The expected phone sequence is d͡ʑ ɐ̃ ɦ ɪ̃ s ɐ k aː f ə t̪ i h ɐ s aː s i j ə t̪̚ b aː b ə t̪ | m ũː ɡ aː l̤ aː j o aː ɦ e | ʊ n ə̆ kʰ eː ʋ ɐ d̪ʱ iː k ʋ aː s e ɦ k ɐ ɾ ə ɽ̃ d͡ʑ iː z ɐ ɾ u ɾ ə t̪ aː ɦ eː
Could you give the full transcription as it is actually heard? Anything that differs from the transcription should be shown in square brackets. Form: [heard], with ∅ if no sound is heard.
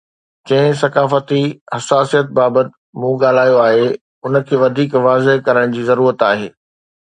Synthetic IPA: d͡ʑ ɐ̃ ɦ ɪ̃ s ɐ k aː f ə t̪ i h ɐ s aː s i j ə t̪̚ b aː b ə t̪ | m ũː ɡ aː l̤ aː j o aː ɦ e | ʊ n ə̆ kʰ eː ʋ ɐ d̪ʱ iː k ʋ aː [z] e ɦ k ɐ ɾ ə ɽ̃ d͡ʑ iː z ɐ ɾ [uː] ɾ ə t̪ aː ɦ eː